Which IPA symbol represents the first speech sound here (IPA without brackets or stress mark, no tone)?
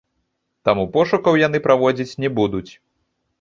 t̪